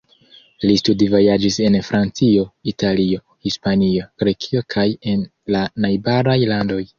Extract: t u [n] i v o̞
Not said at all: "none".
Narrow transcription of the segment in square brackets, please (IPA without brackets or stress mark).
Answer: d